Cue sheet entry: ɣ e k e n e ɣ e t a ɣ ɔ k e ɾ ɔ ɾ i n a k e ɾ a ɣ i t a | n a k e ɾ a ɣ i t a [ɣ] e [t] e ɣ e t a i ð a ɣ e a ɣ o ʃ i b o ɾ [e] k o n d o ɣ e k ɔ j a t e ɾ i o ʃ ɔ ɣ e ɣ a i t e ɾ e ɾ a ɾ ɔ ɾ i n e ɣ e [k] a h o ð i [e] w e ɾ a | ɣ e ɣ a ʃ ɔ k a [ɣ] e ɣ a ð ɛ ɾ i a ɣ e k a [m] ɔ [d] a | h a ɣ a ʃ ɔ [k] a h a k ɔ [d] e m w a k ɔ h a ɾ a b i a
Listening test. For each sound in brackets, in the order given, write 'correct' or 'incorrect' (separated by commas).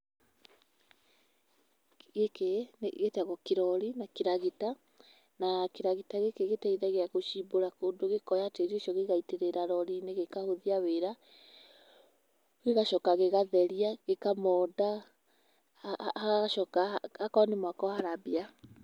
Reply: correct, incorrect, incorrect, correct, incorrect, correct, correct, correct, correct, incorrect